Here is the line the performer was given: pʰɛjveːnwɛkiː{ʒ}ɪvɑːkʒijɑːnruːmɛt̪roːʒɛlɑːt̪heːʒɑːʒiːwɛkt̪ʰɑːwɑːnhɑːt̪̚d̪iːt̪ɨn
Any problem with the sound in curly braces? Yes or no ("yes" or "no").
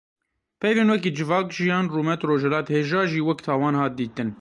yes